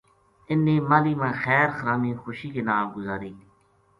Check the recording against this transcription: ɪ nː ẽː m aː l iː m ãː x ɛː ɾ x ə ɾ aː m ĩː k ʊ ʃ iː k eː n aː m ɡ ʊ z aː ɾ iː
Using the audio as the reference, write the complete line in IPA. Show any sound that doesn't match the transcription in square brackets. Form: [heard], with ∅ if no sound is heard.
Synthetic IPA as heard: ɪ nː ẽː m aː l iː m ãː x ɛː ɾ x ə ɾ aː m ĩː [x] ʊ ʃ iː k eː n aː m ɡ ʊ z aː ɾ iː